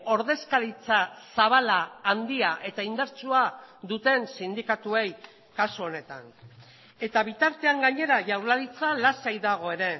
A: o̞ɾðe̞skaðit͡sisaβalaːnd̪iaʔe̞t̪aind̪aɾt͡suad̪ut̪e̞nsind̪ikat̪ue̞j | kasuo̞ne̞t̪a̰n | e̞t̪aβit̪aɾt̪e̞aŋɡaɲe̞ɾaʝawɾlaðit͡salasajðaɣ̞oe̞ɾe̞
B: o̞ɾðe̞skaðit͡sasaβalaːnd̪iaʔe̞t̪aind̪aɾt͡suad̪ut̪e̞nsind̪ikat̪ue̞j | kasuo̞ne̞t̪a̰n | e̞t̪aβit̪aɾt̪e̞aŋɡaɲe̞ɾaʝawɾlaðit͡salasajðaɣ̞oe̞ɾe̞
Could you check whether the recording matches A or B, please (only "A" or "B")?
B